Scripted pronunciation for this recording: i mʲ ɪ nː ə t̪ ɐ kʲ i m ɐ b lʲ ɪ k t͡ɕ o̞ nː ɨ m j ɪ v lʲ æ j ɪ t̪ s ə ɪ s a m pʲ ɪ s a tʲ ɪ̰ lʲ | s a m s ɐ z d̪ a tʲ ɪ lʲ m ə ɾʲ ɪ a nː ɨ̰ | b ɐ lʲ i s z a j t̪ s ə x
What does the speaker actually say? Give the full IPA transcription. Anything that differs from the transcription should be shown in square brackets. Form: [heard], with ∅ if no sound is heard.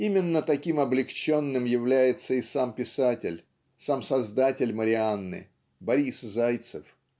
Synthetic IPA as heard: i mʲ ɪ nː ə t̪ ɐ kʲ i m ɐ b lʲ ɪ k t͡ɕ o̞ nː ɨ m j ɪ v lʲ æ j ɪ t̪ s ə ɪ s a m pʲ ɪ s a tʲ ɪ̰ lʲ | s a m s ɐ z d̪ a tʲ ɪ lʲ m ə ɾʲ ɪ a nː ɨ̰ | b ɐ [ɾʲ] i s z a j t̪ s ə [f]